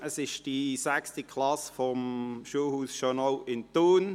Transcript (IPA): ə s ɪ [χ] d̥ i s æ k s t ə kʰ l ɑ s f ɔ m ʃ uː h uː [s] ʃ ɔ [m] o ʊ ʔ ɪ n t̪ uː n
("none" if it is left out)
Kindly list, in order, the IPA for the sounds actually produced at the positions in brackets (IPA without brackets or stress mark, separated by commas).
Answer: ʃ, s, n